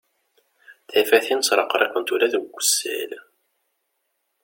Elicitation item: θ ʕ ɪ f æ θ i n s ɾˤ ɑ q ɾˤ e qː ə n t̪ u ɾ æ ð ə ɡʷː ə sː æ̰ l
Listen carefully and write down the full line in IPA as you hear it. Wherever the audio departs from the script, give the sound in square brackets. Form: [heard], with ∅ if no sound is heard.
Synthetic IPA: θ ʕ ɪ f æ θ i n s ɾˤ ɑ q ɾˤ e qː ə n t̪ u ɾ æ ð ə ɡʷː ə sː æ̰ l